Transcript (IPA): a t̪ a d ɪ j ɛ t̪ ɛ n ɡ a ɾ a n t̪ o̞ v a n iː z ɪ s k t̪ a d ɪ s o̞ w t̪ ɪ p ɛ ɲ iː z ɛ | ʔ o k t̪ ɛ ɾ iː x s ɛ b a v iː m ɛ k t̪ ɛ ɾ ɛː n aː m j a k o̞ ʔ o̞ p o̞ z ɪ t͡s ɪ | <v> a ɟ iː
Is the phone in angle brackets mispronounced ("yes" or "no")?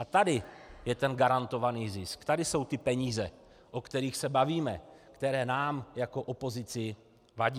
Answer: no